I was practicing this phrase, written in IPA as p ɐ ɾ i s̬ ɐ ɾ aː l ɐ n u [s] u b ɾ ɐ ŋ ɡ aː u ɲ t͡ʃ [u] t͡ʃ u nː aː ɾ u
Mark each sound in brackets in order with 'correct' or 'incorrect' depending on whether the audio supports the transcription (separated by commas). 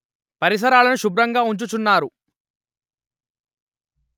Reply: incorrect, correct